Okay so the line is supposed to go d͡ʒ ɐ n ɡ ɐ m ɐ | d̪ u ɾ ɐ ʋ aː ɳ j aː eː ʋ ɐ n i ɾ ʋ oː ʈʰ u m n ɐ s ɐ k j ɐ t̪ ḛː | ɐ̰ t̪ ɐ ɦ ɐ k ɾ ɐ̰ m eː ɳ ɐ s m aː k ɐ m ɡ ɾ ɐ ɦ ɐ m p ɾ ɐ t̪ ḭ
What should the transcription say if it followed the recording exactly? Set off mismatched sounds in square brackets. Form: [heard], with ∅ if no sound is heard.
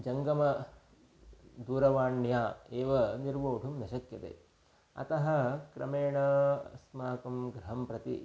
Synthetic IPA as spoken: d͡ʒ ɐ [ŋ] ɡ ɐ m ɐ | d̪ [uː] ɾ ɐ ʋ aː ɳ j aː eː ʋ ɐ n i ɾ ʋ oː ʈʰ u m n ɐ [ʃ] ɐ k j ɐ t̪ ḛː | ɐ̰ t̪ ɐ ɦ ɐ k ɾ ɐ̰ m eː ɳ ɐ s m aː k ɐ m ɡ ɾ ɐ ɦ ɐ m p ɾ ɐ t̪ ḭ